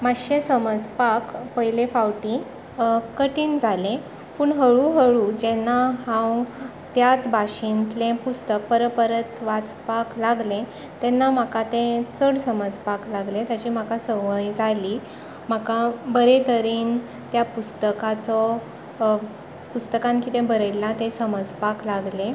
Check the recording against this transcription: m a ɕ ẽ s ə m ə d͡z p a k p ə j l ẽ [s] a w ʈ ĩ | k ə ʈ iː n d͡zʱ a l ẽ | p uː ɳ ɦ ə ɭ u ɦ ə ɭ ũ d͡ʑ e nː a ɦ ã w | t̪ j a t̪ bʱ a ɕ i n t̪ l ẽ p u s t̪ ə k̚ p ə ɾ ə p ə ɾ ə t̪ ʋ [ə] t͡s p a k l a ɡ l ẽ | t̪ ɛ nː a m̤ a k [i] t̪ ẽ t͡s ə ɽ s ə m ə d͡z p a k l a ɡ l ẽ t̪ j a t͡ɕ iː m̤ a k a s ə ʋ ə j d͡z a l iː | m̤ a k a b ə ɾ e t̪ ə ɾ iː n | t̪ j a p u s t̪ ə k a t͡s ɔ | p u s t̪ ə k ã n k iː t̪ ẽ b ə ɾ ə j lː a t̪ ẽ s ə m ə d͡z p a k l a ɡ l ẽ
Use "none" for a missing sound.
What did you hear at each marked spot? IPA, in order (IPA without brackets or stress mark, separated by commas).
f, a, a